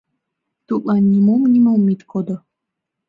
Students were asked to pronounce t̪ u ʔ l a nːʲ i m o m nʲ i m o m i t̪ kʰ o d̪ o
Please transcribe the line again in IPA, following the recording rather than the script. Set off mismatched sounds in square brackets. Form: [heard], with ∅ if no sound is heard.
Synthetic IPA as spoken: t̪ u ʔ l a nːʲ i m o m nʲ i m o m i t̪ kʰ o d̪ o